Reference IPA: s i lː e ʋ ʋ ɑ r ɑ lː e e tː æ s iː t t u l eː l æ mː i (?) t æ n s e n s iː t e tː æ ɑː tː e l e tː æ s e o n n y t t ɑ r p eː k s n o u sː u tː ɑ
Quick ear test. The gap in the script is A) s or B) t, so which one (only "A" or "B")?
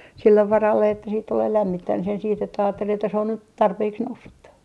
B